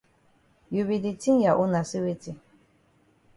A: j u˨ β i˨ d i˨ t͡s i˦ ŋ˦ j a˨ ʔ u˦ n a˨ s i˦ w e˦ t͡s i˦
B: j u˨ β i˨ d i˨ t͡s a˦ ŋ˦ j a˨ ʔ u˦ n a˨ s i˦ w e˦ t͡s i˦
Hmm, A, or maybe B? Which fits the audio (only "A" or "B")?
A